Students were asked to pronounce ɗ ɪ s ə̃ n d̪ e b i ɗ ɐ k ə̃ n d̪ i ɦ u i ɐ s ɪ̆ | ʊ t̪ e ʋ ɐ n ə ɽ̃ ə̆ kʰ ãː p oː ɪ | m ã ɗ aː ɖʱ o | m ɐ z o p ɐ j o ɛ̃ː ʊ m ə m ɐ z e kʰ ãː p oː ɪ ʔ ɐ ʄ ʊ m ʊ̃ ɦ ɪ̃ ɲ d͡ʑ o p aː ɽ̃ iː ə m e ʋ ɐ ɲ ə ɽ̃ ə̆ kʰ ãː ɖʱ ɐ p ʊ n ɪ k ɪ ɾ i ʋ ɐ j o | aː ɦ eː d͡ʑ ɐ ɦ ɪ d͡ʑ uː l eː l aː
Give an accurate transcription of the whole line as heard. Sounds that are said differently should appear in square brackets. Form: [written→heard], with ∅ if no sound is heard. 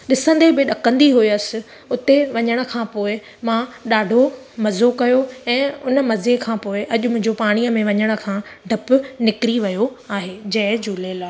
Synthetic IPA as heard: ɗ ɪ s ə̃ n d̪ e b [i→ɪ] ɗ ɐ k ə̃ n d̪ i ɦ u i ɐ s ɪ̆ | ʊ t̪ e ʋ ɐ [n→ɲ] ə ɽ̃ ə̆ kʰ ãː p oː ɪ | m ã ɗ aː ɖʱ o | m ɐ z o [p→k] ɐ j o ɛ̃ː ʊ [m→n] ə m ɐ z e kʰ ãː p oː ɪ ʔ ɐ ʄ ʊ m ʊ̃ ɦ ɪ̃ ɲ d͡ʑ o p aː ɽ̃ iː ə m [e→ẽ] ʋ ɐ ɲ ə ɽ̃ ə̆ kʰ ãː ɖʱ ɐ p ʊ n ɪ k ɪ ɾ i ʋ ɐ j o | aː ɦ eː d͡ʑ ɐ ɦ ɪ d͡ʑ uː l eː l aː